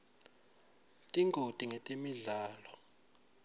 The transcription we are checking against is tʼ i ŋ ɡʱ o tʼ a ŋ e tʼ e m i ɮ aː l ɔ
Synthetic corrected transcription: tʼ i ŋ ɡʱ o tʼ i ŋ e tʼ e m i ɮ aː l ɔ